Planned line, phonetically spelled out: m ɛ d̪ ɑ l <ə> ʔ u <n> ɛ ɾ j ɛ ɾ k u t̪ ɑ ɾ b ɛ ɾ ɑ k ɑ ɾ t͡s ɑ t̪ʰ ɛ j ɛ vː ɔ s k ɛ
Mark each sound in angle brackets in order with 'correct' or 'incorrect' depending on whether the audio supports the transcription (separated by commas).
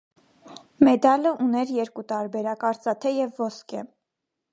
correct, correct